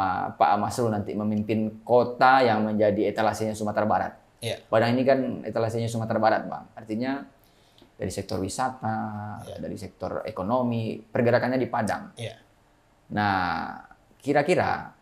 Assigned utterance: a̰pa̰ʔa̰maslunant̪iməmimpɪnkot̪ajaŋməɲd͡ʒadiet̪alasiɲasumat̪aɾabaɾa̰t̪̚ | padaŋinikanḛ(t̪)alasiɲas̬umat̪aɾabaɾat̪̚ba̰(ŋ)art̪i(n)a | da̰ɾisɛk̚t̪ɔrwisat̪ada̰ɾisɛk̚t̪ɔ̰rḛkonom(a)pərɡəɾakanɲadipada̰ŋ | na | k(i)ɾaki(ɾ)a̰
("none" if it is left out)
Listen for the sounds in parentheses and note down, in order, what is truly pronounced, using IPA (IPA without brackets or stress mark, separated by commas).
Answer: t̪, ŋ, ɲ, i, i, ɾ